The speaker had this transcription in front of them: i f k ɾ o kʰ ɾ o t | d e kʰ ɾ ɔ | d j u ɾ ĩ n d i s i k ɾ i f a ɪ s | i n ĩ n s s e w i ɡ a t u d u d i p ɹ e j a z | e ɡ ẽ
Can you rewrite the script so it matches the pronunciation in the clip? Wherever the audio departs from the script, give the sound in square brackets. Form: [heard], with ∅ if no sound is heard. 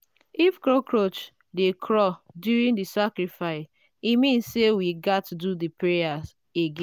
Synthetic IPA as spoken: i f k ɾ o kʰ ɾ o [t͡ʃ] | d e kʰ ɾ ɔ | d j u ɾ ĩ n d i s [a] k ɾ i f a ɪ s | i [m] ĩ n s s e w i ɡ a t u d u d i p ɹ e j a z | e ɡ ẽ

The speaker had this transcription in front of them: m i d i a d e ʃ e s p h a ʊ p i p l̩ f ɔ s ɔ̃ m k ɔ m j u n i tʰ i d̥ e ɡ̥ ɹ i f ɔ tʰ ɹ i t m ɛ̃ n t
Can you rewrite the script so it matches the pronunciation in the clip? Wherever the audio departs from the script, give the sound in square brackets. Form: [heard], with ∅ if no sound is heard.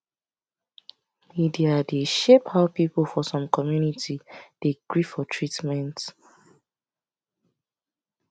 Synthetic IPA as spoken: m i d i a d e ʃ e [∅] p h a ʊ p i p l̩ f ɔ s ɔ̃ m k ɔ m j u n i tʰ i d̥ e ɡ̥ ɹ i f ɔ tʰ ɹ i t m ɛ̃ n t

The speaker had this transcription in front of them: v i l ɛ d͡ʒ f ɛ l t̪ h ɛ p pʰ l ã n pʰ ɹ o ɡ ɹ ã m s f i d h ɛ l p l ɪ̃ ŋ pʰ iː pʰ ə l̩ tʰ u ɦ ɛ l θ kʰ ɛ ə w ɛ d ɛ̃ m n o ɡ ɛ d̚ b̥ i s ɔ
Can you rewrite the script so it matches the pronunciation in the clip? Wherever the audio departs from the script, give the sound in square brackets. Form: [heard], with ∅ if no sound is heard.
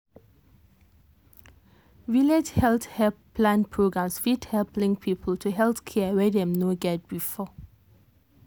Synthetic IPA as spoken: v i l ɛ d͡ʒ [h] ɛ l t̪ h ɛ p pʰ l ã n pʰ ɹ o ɡ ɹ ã m s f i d h ɛ l p l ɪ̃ ŋ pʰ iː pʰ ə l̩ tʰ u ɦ ɛ l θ kʰ ɛ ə w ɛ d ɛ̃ m n o ɡ ɛ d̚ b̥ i [f] ɔ

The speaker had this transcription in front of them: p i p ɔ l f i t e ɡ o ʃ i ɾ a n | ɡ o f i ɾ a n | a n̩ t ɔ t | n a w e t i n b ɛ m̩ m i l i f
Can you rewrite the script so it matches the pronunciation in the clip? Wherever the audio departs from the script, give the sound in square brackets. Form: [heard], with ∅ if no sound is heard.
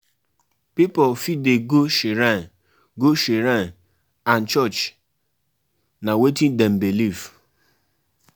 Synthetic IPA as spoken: p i p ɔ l f i [d] e ɡ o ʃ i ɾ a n | ɡ o [ʃ] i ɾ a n | a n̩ [t͡ʃ] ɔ [t͡ʃ] | n a w e t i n [d] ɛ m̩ [b] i l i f

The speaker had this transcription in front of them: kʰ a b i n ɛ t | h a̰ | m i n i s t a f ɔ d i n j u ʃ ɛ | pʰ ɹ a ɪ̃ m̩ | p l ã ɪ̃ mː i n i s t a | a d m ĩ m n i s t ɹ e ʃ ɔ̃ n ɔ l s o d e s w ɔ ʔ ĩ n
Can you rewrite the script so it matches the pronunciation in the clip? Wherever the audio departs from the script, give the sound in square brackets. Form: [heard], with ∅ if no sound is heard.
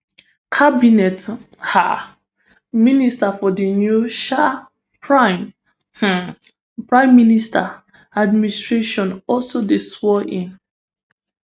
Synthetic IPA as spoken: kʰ a b i n ɛ t | h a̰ | m i n i s t a f ɔ d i n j u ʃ [a] | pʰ ɹ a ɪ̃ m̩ | p [ɹ] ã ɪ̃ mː i n i s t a | a d m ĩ [∅] n i s t ɹ e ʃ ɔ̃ n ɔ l s o d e s w ɔ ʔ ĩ n

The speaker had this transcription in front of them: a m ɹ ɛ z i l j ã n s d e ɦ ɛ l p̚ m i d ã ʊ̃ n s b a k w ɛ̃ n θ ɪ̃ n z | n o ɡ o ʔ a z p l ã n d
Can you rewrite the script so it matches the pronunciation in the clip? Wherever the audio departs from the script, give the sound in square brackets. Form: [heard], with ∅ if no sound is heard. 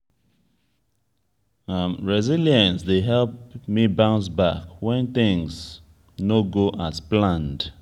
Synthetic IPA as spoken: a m ɹ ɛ z i l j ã n s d e ɦ ɛ l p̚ m i [b] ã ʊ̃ n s b a k w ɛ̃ n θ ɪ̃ [ŋ] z | n o ɡ o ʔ a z p l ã n d

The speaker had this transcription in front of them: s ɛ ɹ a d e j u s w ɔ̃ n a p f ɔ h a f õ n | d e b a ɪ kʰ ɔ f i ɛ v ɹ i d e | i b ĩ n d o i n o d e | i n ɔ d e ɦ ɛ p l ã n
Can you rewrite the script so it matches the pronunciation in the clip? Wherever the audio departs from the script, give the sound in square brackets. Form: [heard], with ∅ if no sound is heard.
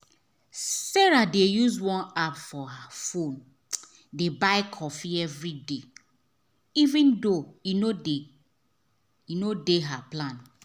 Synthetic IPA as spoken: s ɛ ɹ a d e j u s w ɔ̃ n a p f ɔ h a f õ n | d e b a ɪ kʰ ɔ f i ɛ v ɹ i d e | i [v] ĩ n d o i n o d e | i n [o] d e ɦ [a] p l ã n

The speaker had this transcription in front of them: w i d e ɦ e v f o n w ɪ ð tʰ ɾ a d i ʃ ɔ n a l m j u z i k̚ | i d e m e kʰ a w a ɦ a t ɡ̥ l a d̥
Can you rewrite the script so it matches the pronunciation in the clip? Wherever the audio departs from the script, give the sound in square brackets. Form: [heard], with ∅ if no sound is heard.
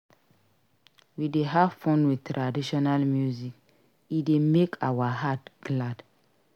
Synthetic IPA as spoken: w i d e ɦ [a] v f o n w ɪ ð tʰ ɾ a d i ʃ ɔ n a l m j u z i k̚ | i d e m e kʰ a w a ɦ a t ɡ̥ l a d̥

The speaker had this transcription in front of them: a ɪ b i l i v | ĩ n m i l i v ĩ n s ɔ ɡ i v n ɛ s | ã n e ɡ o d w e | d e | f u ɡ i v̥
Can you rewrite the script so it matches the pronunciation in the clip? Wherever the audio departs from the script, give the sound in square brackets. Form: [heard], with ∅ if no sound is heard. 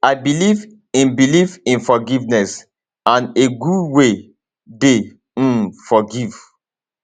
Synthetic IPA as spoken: a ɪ b i l i v | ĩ n [b] i l i v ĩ n [f] ɔ ɡ i v n ɛ s | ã n e ɡ [u] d w e | d e | f [ɔ] ɡ i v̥

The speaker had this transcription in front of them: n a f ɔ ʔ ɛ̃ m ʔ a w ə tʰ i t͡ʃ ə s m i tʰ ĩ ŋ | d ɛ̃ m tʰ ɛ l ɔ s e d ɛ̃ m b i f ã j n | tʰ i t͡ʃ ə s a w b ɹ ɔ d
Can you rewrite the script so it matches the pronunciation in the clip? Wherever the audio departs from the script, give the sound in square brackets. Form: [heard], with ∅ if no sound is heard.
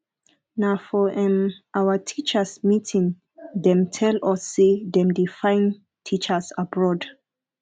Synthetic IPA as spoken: n a f ɔ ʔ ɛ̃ m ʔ a w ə tʰ i t͡ʃ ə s m i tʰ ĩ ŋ | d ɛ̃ m tʰ ɛ l ɔ s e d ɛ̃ m [d] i f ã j n | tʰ i t͡ʃ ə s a [∅] b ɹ ɔ d

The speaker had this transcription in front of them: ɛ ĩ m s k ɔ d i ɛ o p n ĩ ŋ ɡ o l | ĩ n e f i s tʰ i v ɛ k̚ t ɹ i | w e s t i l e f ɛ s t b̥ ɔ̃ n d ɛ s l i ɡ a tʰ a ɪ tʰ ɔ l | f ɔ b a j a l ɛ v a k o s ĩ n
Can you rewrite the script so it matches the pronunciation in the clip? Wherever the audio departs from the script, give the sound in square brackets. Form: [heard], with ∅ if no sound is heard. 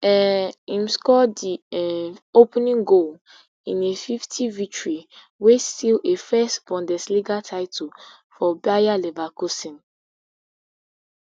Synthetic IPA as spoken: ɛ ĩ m s k ɔ d i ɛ o p n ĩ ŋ ɡ o l | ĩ n e f i [f] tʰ i v [i] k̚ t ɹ i | w e s t i l e f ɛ s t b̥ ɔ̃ n d ɛ s l i ɡ a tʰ a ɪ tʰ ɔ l | f ɔ b a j a l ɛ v a k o s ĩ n

